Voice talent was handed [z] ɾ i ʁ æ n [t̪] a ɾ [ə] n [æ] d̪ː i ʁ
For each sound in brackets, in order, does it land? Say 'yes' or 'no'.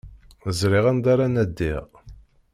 yes, no, no, yes

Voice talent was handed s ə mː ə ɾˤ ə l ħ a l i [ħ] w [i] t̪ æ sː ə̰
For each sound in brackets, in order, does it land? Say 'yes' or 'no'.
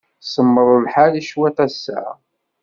no, no

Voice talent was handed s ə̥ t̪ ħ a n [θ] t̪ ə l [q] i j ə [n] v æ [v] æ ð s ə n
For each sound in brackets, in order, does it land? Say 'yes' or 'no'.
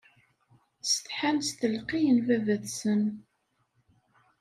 no, yes, yes, yes

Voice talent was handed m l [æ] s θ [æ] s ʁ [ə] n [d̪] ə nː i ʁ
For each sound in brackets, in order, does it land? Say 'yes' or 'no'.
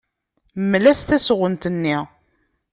yes, yes, yes, no

